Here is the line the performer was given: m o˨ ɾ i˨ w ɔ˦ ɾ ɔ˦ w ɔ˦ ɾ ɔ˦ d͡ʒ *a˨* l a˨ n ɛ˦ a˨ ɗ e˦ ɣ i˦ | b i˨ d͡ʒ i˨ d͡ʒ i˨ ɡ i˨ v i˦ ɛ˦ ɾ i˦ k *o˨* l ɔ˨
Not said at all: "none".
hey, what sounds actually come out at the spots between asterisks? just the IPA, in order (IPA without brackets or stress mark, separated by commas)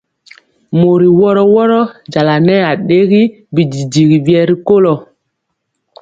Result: a˨, o˦